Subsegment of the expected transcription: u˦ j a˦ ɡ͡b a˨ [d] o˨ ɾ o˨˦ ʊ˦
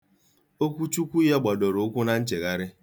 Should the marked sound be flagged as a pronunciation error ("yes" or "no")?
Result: no